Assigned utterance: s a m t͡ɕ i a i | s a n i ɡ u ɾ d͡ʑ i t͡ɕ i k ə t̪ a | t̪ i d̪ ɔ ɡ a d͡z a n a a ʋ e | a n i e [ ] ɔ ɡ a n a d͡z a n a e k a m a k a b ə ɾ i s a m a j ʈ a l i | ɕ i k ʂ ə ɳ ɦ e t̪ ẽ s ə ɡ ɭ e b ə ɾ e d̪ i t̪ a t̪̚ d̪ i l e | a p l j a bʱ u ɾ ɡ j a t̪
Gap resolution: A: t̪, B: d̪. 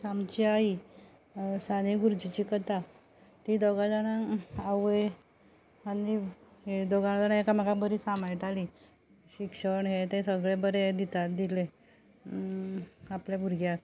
B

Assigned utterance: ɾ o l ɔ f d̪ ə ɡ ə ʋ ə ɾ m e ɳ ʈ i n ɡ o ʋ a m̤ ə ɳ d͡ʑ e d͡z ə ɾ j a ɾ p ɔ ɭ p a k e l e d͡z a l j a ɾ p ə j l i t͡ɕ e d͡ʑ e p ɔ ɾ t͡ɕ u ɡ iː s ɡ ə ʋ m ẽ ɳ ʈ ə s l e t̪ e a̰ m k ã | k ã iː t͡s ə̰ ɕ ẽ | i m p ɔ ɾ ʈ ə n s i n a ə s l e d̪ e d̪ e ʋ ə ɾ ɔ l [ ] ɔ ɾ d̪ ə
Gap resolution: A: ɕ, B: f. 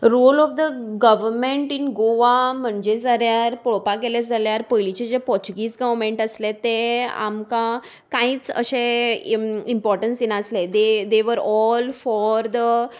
B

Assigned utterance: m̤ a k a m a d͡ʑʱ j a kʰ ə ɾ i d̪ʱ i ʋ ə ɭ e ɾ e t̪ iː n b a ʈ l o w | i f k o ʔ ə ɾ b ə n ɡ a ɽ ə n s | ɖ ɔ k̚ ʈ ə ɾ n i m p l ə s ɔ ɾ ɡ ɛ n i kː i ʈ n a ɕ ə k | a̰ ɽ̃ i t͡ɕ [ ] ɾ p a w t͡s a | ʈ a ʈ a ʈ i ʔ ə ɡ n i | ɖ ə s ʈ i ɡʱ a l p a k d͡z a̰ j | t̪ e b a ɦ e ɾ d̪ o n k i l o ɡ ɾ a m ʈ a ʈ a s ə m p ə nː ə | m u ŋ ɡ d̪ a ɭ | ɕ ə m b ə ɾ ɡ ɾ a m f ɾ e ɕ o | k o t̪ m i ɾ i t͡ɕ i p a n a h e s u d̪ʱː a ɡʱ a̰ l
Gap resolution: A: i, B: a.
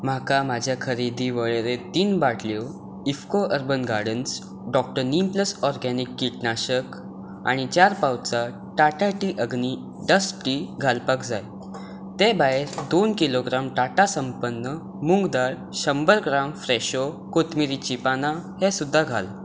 B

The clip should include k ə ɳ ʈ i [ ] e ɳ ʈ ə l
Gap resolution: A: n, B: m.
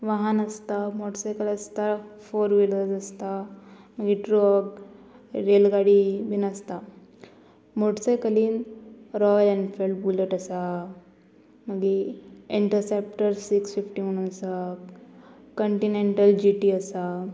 A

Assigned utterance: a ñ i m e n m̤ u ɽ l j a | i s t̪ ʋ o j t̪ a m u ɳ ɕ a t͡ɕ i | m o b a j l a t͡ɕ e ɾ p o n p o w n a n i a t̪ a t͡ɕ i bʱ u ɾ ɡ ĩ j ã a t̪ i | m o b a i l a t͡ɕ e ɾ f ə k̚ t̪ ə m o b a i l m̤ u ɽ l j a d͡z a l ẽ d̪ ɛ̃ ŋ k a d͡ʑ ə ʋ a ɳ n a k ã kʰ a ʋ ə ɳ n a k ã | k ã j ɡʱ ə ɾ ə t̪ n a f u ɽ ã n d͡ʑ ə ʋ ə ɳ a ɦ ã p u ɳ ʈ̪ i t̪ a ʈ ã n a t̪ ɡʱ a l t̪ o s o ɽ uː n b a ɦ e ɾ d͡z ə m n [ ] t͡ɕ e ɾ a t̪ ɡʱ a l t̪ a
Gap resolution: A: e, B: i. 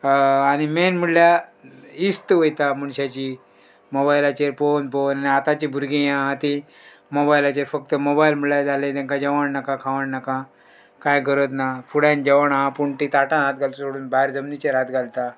B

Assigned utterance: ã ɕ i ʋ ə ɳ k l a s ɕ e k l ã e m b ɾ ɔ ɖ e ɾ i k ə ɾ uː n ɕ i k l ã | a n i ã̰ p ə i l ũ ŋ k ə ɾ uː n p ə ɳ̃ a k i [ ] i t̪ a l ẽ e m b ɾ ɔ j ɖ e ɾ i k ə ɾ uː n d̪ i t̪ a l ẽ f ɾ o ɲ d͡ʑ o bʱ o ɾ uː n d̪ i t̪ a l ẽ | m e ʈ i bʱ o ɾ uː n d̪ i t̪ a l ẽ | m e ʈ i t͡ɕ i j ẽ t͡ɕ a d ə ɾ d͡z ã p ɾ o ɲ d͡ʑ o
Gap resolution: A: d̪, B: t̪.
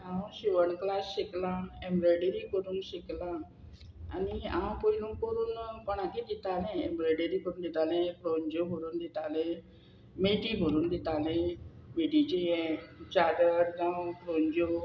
A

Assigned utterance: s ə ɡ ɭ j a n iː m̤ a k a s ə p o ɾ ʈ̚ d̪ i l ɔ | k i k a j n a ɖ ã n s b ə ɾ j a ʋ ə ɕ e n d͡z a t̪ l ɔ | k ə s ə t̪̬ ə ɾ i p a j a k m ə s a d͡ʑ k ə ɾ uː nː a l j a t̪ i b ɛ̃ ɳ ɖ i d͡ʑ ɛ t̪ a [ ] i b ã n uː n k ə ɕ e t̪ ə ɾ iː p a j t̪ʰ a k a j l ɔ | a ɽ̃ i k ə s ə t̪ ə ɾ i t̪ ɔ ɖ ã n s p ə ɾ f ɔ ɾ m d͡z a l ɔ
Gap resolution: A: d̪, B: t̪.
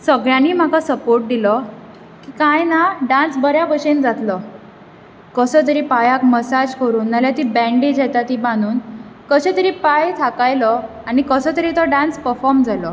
B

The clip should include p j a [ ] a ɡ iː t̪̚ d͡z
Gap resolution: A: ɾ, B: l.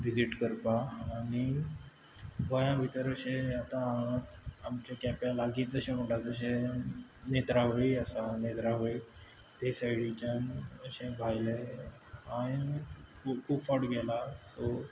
B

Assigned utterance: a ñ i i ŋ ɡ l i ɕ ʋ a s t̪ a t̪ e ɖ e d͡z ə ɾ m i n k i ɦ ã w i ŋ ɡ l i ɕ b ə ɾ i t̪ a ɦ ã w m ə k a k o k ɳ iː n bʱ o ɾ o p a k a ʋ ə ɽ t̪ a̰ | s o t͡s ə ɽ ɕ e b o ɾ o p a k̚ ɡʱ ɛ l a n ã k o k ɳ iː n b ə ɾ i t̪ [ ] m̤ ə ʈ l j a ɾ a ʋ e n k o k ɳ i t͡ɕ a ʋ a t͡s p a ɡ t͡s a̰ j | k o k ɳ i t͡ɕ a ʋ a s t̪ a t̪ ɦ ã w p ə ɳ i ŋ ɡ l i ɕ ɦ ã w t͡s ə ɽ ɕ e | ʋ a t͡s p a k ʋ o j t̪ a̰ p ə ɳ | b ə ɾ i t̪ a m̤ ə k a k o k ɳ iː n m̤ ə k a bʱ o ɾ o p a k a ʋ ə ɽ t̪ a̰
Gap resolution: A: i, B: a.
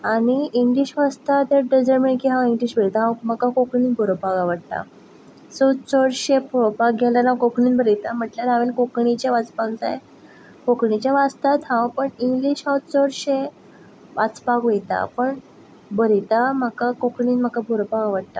B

